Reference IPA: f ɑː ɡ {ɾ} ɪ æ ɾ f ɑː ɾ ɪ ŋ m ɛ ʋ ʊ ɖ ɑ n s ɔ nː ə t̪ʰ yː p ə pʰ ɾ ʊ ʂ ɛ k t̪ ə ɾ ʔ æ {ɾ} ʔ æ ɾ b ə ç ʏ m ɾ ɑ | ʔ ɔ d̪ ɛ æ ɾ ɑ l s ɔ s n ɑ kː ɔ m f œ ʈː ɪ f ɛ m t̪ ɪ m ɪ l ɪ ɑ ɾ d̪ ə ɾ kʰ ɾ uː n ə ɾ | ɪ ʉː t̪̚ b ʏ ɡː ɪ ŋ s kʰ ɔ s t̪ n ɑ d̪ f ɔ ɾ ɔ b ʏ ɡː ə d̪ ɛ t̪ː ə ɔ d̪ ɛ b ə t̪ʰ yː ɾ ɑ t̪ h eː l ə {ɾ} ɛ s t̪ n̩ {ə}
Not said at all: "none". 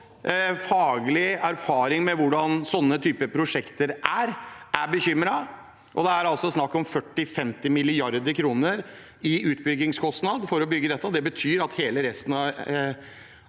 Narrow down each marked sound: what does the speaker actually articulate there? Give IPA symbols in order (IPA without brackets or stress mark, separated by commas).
l, ɾ, ɾ, ɑ